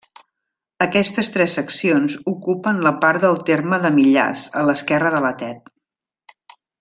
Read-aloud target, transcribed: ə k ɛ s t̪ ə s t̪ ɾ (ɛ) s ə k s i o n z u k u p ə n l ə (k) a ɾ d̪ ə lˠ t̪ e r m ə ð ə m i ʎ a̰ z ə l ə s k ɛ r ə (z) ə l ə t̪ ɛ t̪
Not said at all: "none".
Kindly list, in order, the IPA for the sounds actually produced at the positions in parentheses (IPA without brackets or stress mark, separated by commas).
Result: ɛ, p, ð